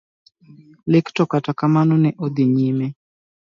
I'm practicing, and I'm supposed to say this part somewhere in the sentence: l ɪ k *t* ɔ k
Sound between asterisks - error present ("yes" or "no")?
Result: no